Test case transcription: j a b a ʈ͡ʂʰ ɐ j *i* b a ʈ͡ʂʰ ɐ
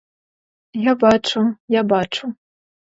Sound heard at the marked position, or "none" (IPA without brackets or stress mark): a